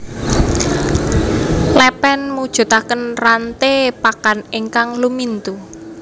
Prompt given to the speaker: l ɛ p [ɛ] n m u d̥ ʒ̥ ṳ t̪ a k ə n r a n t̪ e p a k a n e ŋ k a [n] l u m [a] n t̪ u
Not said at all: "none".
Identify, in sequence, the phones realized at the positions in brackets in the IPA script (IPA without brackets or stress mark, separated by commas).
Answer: ɛ, ŋ, i